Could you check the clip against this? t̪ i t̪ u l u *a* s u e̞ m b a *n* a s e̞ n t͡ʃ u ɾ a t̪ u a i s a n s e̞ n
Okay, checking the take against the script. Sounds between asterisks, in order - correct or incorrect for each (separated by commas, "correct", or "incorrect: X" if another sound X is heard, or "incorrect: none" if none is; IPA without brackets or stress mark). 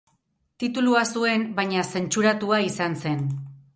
correct, incorrect: ɲ